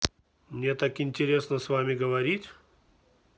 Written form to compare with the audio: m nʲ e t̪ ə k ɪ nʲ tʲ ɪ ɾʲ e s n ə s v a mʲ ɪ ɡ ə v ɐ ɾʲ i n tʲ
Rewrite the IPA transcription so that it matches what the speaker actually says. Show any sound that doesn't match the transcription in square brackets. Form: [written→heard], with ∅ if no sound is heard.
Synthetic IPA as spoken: m nʲ e t̪ [ə→a] k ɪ nʲ tʲ ɪ ɾʲ e s n ə s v a mʲ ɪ ɡ ə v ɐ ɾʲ i [n→∅] tʲ